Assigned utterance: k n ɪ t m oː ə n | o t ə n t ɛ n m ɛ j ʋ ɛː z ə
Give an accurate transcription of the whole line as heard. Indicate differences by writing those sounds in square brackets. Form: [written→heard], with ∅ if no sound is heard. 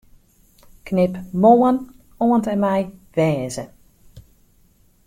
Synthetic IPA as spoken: k n ɪ [t→p] m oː ə n | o [t→∅] ə n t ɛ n m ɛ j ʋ ɛː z ə